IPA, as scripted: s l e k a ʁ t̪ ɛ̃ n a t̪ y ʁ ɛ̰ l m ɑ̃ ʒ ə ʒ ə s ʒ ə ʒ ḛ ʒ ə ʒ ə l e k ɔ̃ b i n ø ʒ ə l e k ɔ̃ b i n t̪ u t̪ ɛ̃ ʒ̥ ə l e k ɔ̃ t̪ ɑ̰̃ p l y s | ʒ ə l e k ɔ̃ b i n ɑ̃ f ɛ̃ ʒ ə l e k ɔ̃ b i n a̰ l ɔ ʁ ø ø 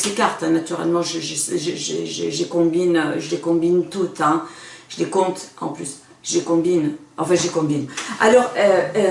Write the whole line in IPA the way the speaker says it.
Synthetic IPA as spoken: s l e k a ʁ t̪ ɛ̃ n a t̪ y ʁ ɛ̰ l m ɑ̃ ʒ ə ʒ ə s ʒ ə ʒ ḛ ʒ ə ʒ ə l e k ɔ̃ b i n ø ʒ ə l e k ɔ̃ b i n t̪ u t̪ ɛ̃ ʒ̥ ə l e k ɔ̃ t̪ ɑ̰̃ p l y s | ʒ ə l e k ɔ̃ b i n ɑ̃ f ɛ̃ ʒ ə l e k ɔ̃ b i n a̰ l ɔ ʁ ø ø

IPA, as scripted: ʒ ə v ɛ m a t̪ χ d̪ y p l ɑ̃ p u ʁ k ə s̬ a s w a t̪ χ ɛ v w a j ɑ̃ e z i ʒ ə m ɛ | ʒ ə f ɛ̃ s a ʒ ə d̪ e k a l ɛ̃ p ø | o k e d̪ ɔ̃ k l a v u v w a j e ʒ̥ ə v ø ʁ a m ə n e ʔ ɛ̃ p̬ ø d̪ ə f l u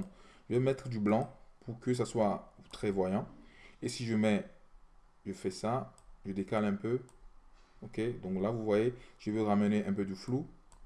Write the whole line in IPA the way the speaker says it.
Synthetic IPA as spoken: ʒ ə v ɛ m ɛ t̪ χ d̪ y b l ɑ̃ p u ʁ k ə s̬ a s w a t̪ χ ɛ v w a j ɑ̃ e s i ʒ ə m ɛ | ʒ ə f ɛ s a ʒ ə d̪ e k a l ɛ̃ p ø | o k e d̪ ɔ̃ k l a v u v w a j e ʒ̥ ə v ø ʁ a m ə n e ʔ ɛ̃ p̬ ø d̪ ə f l u

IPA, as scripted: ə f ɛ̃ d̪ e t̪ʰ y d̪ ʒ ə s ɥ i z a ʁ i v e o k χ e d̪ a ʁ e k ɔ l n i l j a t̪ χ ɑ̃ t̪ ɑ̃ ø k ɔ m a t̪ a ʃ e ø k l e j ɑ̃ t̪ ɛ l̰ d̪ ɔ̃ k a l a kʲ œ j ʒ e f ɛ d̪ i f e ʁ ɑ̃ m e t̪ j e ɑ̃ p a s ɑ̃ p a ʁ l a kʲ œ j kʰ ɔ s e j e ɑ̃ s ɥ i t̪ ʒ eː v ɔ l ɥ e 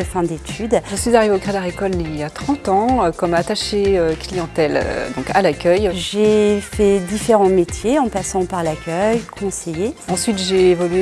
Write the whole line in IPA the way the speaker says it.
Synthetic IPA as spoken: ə f ɛ̃ d̪ e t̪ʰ y d̪ ʒ ə s ɥ i z a ʁ i v e o k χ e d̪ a ʁ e k ɔ l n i l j a t̪ χ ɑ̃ t̪ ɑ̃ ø k ɔ m a t̪ a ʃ e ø k l i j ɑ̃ t̪ ɛ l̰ d̪ ɔ̃ k a l a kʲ œ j ʒ e f ɛ d̪ i f e ʁ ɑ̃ m e t̪ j e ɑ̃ p a s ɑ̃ p a ʁ l a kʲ œ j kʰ ɔ̃ s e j e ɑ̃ s ɥ i t̪ ʒ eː v ɔ l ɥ e

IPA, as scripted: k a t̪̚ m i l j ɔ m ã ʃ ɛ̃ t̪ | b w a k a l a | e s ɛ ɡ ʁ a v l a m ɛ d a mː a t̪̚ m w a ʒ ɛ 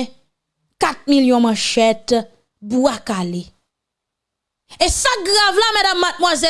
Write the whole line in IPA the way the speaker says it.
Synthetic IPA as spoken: k a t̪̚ m i l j ɔ̃ m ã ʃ ɛ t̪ | b u a k a l e | e s a ɡ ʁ a v l a m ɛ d a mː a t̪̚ m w a z ɛ

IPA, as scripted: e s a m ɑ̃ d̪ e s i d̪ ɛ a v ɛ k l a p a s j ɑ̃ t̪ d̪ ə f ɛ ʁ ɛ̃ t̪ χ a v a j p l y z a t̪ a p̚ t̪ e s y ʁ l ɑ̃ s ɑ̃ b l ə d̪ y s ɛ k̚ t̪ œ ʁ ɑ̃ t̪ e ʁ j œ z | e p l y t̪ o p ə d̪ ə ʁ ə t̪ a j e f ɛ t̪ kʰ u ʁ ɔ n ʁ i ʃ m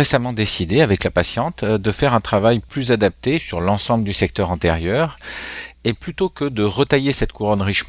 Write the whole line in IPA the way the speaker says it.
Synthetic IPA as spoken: e s a m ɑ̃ d̪ e s i d̪ e a v ɛ k l a p a s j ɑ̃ t̪ d̪ ə f ɛ ʁ ɛ̃ t̪ χ a v a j p l y z a d̪ a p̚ t̪ e s y ʁ l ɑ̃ s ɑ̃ b l ə d̪ y s ɛ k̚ t̪ œ ʁ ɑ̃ t̪ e ʁ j œ ʁ | e p l y t̪ o k ə d̪ ə ʁ ə t̪ a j e s ɛ t̪ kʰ u ʁ ɔ n ʁ i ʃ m

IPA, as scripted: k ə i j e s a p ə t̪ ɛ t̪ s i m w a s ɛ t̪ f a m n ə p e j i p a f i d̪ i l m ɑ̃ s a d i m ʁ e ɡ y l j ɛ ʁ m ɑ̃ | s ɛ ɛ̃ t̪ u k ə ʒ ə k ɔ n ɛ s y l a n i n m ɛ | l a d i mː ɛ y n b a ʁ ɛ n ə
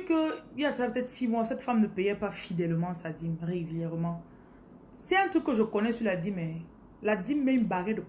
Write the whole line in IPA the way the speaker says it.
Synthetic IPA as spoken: k ə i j a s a p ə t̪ ɛ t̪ s i m w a s ɛ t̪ f a m n ə p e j ɛ p a f i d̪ ɛ l m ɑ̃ s a d i m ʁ e ɡ y l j ɛ ʁ m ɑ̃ | s ɛ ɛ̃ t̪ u k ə ʒ ə k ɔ n ɛ s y l a d i m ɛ | l a d i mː ɛ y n b a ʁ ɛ d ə

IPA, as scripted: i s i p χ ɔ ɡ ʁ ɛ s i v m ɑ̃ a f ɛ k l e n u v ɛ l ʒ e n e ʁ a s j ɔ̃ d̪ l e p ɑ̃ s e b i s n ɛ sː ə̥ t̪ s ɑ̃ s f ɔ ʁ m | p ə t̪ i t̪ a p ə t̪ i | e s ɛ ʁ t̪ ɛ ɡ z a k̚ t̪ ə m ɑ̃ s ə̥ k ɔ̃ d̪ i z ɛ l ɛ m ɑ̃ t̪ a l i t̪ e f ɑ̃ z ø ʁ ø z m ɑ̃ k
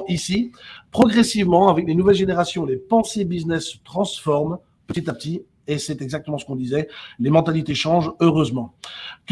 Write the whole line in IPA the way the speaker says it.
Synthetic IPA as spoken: i s i p χ ɔ ɡ ʁ ɛ s i v m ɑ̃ a v ɛ k l e n u v ɛ l ʒ e n e ʁ a s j ɔ̃ l e p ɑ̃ s e b i z n ɛ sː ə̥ t̪ χ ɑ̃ s f ɔ ʁ m | p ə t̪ i t̪ a p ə t̪ i | e s ɛ t̪ ɛ ɡ z a k̚ t̪ ə m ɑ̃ s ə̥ k ɔ̃ d̪ i z ɛ l e m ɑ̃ t̪ a l i t̪ e ʃ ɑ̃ ʒ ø ʁ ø z m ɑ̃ k

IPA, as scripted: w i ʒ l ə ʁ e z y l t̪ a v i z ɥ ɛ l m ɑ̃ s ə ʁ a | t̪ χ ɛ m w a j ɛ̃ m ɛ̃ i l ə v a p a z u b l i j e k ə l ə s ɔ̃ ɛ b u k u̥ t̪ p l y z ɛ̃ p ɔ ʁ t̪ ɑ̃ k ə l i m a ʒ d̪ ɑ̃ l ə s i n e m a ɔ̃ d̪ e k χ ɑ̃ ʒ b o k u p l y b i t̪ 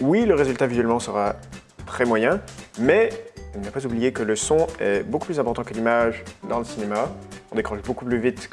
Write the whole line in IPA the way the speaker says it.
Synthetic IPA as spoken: w i l ə ʁ e z y l t̪ a v i z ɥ ɛ l m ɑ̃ s ə ʁ a | t̪ χ ɛ m w a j ɛ̃ m ɛ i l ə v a p a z u b l i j e k ə l ə s ɔ̃ ɛ b o k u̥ p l y z ɛ̃ p ɔ ʁ t̪ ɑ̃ k ə l i m a ʒ d̪ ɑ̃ l ə s i n e m a ɔ̃ d̪ e k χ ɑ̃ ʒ b o k u p l y v i t̪

